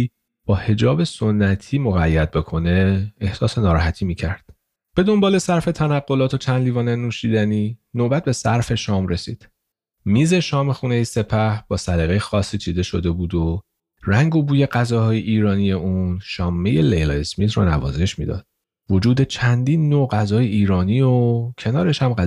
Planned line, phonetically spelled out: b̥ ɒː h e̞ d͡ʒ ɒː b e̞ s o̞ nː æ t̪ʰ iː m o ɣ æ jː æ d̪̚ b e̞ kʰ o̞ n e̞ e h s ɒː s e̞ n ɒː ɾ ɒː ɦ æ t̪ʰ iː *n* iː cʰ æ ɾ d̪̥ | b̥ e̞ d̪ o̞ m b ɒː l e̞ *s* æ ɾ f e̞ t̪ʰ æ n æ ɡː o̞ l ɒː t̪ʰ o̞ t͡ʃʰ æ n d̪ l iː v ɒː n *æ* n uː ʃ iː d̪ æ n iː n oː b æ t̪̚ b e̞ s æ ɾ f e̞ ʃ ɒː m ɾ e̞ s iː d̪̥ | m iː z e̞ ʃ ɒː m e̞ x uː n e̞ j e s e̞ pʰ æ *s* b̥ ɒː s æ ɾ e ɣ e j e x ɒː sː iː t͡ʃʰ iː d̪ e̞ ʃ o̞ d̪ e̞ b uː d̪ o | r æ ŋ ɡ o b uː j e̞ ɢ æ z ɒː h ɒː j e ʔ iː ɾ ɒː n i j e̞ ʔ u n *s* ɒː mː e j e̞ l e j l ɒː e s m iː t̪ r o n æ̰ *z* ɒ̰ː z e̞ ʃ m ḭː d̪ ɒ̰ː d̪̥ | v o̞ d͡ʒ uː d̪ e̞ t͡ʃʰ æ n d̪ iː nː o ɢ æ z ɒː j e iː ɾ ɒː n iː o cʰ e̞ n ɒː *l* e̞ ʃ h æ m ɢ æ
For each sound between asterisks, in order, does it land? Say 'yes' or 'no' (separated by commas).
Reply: no, yes, no, no, no, no, no